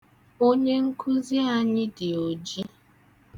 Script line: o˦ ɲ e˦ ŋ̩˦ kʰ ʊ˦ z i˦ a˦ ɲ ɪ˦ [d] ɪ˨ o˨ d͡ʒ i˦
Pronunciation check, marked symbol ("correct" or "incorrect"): correct